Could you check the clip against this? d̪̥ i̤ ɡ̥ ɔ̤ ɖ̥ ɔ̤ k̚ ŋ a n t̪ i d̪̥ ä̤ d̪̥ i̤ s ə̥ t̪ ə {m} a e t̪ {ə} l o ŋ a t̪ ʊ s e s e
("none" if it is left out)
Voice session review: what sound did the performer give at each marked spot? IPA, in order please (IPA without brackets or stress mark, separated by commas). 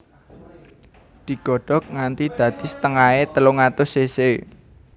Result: ŋ, ə